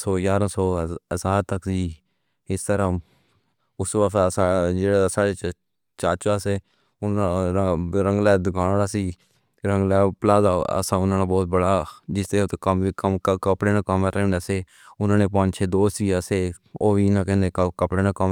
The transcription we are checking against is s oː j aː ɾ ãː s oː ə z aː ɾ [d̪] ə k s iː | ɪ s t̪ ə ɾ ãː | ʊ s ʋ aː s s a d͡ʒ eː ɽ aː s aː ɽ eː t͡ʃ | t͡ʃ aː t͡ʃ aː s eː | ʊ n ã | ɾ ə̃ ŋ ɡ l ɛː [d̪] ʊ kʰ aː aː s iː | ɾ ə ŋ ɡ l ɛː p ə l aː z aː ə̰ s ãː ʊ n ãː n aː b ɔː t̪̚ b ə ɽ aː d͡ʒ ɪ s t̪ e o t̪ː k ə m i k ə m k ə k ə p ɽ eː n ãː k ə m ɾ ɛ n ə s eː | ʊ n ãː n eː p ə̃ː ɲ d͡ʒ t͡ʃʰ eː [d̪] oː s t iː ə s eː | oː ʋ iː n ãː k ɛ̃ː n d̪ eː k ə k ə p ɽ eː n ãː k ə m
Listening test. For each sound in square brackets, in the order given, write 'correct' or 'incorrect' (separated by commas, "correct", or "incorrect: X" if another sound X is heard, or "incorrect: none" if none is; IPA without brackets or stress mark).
incorrect: t̪, correct, correct